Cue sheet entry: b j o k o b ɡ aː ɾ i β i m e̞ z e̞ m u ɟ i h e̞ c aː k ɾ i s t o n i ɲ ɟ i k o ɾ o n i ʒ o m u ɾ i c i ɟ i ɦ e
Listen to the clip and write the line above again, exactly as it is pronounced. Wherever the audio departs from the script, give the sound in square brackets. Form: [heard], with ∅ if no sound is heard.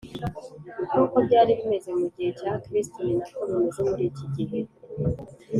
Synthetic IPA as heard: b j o k o b [ɟ] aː ɾ i β i m e̞ z e̞ m u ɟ i h e̞ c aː k ɾ i s t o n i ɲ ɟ i k o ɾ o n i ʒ o m u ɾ i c i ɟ i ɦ e